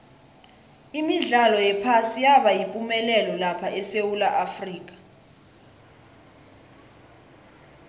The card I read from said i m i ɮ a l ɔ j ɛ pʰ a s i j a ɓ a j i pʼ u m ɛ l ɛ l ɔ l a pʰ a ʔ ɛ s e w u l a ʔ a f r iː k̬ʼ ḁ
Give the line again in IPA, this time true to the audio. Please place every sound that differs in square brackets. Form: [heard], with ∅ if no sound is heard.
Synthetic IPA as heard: i m i ɮ a l ɔ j ɛ pʰ a s i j a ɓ a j i pʼ u m ɛ l ɛ l ɔ l a pʰ a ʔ ɛ s e w u l a ʔ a f r iː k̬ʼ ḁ